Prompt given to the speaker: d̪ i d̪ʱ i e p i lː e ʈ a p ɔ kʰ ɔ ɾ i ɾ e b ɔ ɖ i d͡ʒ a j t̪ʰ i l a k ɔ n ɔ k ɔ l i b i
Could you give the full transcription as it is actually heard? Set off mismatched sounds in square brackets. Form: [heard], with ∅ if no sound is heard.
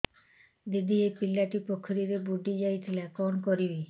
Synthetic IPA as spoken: d̪ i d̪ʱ i e p i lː [a] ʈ [i] p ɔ kʰ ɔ ɾ i ɾ e b [u] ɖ i d͡ʒ a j t̪ʰ i l a k ɔ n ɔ k ɔ [ɾ] i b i